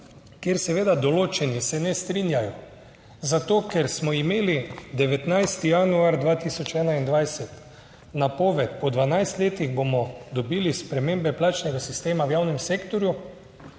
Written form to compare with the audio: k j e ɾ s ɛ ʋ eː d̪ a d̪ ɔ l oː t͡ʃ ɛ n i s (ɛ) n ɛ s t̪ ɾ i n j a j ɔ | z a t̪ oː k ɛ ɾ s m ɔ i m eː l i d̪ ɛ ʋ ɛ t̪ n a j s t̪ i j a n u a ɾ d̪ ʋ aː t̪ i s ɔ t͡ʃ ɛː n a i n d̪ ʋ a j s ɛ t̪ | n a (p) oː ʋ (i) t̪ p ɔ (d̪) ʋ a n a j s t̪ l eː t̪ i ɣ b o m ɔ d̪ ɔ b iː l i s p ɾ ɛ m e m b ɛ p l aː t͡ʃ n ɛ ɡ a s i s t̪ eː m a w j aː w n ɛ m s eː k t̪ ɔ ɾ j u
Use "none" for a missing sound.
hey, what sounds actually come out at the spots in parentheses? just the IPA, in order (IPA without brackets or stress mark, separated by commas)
ɛ, p, ɛ, d̪